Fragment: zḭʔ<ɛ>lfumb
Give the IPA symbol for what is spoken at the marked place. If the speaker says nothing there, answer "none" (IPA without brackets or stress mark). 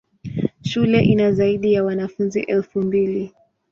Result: ɛ